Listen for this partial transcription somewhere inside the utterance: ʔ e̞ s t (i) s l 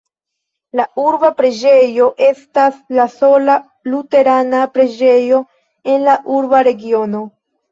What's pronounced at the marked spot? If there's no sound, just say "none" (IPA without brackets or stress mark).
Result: a